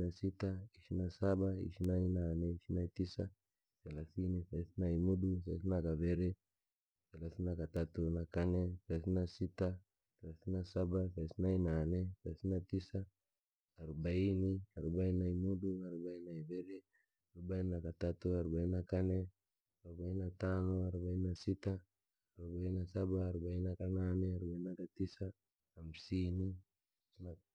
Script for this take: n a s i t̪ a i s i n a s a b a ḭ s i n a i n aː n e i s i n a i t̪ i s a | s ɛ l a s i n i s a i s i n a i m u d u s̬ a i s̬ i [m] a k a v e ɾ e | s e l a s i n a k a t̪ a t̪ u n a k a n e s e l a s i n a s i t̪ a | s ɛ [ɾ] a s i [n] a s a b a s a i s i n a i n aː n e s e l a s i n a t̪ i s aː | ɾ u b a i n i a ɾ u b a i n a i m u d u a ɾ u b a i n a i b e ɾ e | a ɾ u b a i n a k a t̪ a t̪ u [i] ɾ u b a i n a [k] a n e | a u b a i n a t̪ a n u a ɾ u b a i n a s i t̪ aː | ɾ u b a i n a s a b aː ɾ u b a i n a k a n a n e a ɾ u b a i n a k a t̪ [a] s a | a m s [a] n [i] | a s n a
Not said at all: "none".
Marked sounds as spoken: n, l, n, a, k, i, i, i

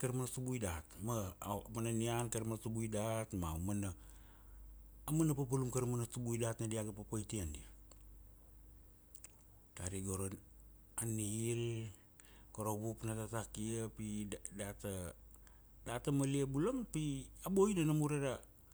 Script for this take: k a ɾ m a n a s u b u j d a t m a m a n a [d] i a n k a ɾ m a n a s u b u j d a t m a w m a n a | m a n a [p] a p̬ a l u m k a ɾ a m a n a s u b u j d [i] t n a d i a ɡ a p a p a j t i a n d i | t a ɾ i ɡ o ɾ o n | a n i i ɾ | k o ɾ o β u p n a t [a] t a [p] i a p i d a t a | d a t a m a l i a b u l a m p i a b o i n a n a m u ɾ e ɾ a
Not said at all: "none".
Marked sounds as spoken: n, p, a, a, k

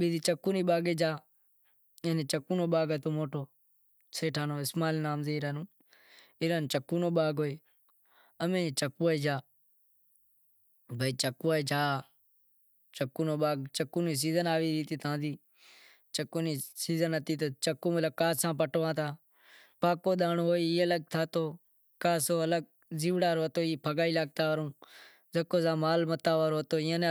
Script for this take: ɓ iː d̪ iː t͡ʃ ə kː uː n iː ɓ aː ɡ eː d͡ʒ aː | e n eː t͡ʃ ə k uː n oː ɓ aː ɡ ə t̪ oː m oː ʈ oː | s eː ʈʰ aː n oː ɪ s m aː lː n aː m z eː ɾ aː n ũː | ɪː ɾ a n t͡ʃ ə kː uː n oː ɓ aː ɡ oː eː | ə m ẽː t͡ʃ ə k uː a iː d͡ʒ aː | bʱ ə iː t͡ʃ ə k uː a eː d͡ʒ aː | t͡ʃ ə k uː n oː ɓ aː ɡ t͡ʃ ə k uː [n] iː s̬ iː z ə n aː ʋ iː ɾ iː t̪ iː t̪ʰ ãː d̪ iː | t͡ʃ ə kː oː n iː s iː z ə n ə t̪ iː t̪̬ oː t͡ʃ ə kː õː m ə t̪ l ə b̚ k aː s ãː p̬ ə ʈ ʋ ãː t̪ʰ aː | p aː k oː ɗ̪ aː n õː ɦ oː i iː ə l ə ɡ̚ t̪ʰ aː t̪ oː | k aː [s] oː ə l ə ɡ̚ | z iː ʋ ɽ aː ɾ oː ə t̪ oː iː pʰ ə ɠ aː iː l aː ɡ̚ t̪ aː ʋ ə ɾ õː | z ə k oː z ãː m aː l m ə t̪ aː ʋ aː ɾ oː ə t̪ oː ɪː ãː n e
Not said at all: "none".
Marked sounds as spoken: n, s

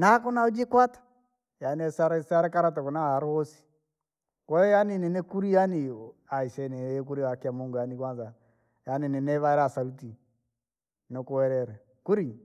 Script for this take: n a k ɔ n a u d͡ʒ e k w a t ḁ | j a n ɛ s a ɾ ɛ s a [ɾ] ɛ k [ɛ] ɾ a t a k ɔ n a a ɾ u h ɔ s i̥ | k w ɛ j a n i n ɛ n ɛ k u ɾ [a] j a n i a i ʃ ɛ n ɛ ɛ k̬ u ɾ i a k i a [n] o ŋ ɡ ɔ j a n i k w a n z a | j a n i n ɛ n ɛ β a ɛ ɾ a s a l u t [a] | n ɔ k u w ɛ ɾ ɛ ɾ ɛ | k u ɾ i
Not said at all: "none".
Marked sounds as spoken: ɾ, a, i, m, i

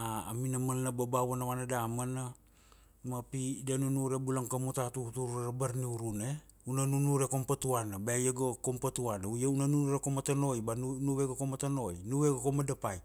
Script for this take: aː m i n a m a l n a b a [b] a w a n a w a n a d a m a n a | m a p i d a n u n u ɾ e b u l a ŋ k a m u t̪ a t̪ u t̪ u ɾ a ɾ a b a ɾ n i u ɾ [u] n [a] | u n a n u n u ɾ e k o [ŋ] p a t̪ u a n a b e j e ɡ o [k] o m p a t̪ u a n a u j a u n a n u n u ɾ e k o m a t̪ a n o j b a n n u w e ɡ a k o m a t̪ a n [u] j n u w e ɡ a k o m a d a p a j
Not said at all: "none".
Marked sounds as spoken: b, u, e, m, k, o

